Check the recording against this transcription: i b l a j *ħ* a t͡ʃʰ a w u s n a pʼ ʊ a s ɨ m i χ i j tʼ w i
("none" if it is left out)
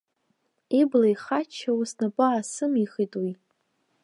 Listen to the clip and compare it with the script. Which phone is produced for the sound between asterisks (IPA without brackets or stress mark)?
χ